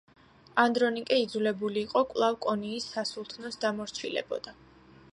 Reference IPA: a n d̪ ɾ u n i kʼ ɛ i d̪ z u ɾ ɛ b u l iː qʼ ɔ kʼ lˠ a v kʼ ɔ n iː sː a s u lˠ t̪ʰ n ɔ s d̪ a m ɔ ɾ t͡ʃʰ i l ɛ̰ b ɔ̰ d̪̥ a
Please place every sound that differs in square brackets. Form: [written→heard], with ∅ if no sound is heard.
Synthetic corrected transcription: a n d̪ ɾ [u→ɔ] n i kʼ ɛ i d̪ z u [ɾ→l] ɛ b u l iː qʼ ɔ kʼ lˠ a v kʼ ɔ n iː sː a s u lˠ t̪ʰ n ɔ s d̪ a m ɔ ɾ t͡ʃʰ i l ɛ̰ b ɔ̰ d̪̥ a